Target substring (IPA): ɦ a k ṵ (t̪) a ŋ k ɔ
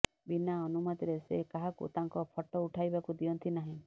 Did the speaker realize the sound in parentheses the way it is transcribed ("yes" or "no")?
yes